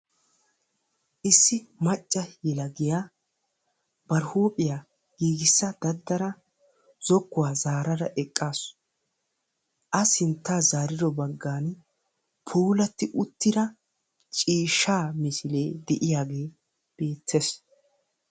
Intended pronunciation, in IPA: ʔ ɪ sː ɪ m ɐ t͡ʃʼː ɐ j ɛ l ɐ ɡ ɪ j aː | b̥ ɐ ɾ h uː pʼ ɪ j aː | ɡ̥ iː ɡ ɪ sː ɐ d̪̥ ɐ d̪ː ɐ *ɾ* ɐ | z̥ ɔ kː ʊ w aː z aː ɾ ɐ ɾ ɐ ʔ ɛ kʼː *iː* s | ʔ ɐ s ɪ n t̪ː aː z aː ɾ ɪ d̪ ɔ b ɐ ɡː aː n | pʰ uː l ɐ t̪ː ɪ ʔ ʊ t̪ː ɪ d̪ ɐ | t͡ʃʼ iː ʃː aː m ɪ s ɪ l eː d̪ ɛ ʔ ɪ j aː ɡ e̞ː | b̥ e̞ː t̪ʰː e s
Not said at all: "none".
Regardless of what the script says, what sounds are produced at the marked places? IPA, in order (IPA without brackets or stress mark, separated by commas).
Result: ɾ, aː